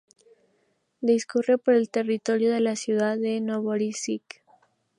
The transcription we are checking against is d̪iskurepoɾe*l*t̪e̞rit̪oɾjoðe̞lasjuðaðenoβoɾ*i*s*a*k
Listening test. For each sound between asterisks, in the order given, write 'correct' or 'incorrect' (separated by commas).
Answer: correct, correct, incorrect